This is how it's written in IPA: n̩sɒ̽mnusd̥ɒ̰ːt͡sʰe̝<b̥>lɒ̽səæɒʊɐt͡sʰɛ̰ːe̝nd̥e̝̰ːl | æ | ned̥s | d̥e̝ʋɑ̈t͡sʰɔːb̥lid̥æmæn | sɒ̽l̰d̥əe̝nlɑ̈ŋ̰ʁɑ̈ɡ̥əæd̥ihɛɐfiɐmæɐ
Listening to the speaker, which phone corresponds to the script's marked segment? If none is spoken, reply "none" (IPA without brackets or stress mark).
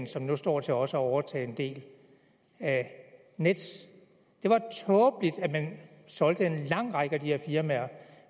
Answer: none